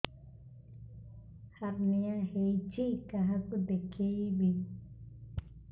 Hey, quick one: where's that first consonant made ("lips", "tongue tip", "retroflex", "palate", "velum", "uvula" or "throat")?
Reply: throat